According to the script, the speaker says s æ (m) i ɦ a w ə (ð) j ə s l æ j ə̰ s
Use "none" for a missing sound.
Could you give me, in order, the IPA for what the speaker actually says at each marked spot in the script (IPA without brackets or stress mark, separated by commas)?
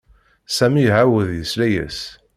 m, ð